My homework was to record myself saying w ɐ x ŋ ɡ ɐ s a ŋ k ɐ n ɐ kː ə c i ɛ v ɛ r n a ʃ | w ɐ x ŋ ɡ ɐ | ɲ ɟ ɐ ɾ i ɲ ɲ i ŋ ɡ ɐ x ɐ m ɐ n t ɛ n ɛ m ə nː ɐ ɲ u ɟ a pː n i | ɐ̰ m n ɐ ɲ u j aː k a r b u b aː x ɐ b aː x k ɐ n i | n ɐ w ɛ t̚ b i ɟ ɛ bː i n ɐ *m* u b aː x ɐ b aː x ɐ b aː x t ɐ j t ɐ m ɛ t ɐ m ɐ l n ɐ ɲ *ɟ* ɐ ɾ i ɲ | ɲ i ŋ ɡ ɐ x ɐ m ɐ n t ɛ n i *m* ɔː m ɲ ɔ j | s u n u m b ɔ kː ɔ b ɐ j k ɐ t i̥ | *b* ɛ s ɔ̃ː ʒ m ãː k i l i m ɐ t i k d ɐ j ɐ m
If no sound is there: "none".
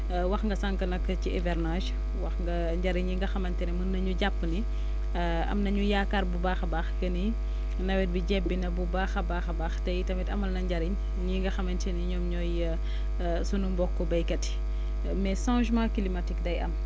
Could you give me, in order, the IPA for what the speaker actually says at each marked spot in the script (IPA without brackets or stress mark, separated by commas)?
b, ɟ, ɲ, m